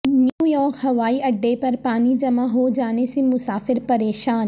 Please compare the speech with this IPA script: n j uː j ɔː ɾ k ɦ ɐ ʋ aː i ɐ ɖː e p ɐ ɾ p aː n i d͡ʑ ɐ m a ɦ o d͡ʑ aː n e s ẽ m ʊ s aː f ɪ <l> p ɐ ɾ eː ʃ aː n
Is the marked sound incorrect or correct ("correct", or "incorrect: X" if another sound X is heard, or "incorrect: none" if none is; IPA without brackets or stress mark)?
incorrect: ɾ